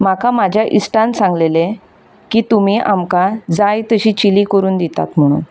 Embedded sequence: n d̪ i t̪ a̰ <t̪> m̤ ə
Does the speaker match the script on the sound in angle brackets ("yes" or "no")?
yes